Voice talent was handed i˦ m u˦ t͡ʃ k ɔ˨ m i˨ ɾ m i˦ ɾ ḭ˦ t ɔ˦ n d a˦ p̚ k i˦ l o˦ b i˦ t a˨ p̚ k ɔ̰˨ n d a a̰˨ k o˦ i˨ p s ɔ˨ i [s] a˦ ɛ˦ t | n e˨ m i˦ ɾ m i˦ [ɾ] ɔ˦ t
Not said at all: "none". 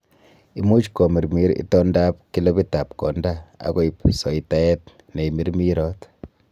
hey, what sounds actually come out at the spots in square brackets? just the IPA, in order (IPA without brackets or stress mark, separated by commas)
t, ɾ